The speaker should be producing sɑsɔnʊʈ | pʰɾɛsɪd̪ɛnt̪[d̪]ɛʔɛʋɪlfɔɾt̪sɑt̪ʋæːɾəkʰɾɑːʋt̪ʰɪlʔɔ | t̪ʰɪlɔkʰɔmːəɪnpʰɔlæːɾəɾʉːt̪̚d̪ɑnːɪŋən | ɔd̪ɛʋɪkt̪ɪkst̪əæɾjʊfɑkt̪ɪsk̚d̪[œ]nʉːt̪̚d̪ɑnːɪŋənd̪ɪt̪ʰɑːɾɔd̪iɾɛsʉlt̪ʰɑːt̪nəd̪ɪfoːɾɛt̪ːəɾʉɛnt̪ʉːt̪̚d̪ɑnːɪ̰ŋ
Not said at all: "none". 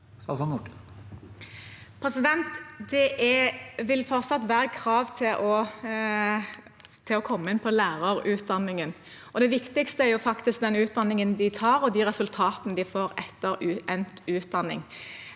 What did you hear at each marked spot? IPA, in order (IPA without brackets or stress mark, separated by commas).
d̪, ɛ